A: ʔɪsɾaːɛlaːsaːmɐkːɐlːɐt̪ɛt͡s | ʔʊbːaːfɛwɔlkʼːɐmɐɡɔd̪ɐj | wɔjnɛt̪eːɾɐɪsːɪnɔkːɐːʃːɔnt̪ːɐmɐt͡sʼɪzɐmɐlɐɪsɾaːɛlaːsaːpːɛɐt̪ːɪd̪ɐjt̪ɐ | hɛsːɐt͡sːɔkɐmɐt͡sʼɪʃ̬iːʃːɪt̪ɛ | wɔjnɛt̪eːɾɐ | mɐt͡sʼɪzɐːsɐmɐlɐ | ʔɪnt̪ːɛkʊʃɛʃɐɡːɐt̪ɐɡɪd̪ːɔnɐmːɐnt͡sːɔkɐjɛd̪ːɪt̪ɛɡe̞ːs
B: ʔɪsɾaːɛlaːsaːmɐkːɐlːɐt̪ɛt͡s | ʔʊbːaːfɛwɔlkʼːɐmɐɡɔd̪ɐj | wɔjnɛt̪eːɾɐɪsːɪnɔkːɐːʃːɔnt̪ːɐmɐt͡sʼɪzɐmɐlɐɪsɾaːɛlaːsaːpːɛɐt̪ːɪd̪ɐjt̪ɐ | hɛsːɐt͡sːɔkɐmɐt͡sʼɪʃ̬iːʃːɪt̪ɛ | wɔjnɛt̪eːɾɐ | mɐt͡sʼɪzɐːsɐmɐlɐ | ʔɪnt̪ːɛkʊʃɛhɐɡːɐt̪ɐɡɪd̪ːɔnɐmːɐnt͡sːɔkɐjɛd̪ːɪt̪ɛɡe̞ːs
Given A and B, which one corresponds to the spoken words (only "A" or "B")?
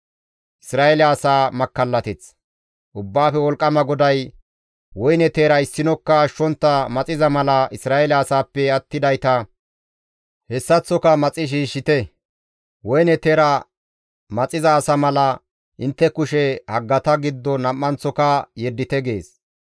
B